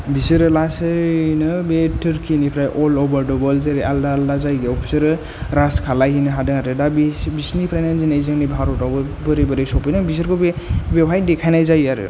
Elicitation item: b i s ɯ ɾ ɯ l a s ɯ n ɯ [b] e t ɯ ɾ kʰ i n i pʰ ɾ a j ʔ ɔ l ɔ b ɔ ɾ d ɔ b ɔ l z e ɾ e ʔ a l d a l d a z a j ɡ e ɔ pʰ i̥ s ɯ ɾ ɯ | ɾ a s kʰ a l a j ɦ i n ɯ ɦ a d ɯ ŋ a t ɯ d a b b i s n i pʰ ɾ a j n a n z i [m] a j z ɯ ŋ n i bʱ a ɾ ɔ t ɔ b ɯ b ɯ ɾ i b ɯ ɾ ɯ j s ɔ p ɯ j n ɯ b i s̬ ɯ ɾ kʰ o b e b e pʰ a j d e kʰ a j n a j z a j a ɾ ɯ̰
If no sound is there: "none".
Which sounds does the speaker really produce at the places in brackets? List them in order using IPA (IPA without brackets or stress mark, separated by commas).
b, n